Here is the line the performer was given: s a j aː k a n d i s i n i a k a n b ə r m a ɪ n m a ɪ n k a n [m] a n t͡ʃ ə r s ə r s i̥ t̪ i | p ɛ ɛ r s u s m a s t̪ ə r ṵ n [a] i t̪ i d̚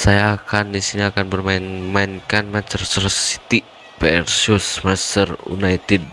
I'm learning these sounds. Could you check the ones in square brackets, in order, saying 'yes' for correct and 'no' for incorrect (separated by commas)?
yes, yes